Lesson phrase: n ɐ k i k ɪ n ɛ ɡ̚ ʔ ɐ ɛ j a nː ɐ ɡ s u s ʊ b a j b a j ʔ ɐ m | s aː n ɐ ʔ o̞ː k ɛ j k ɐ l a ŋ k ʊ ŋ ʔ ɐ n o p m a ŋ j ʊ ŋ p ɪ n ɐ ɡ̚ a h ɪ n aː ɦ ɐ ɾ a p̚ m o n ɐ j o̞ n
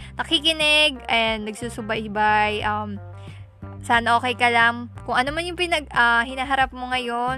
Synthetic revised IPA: n ɐ k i k ɪ n ɛ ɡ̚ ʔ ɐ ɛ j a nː ɐ ɡ s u s ʊ b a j b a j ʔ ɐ m | s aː n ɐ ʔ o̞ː k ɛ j k ɐ l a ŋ k ʊ ŋ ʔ ɐ n o m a n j ʊ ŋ p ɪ n ɐ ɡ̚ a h ɪ n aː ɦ ɐ ɾ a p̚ m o ŋ ɐ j o̞ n